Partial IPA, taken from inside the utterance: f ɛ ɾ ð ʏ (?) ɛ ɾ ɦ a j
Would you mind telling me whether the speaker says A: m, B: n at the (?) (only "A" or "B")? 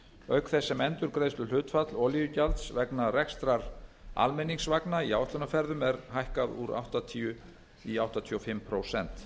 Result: A